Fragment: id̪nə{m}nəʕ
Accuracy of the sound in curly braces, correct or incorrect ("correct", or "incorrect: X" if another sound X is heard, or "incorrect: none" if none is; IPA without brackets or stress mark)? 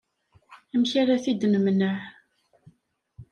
correct